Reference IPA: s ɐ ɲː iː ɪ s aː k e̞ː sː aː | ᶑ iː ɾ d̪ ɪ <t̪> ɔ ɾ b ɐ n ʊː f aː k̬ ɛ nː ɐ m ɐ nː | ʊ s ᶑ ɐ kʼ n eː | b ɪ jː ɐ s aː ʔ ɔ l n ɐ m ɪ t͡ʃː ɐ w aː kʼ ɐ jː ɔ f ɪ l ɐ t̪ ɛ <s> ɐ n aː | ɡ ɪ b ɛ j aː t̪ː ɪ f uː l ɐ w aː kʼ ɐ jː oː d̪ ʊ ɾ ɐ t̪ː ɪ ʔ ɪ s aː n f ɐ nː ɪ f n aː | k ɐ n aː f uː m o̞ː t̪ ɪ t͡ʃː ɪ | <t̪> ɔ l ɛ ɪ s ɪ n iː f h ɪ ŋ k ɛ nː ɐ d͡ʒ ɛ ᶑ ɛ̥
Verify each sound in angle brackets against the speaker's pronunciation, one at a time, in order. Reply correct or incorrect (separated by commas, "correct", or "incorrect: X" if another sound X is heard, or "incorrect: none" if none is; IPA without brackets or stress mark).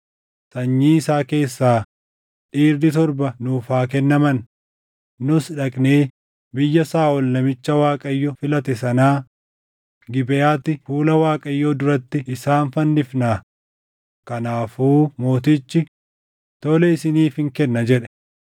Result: correct, correct, correct